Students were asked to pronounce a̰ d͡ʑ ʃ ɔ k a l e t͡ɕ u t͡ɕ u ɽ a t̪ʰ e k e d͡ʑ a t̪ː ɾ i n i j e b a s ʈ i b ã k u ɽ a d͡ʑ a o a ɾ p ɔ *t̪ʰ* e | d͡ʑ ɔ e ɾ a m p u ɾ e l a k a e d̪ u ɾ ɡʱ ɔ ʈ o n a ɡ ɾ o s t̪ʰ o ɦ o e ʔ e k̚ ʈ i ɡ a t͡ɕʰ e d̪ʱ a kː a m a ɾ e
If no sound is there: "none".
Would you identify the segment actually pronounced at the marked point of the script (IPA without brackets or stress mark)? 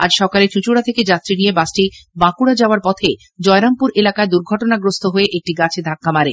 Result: t̪ʰ